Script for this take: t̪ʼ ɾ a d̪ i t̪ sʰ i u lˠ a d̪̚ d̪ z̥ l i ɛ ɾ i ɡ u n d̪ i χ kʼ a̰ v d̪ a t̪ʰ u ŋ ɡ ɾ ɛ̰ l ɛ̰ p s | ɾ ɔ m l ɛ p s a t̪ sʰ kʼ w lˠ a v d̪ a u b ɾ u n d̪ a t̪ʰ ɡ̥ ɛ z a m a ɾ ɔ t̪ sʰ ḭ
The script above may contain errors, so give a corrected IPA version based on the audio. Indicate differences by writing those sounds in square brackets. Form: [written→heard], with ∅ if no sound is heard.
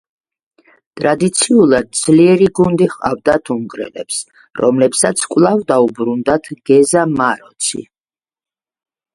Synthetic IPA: t̪ʼ ɾ a d̪ i t̪ sʰ i u lˠ a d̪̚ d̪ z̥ l i ɛ ɾ i ɡ u n d̪ i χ [kʼ→qʼ] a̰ v d̪ a t̪ʰ u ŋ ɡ ɾ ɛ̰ l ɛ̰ p s | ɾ ɔ m l ɛ p s a t̪ sʰ kʼ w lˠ a v d̪ a u b ɾ u n d̪ a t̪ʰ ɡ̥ ɛ z a m a ɾ ɔ t̪ sʰ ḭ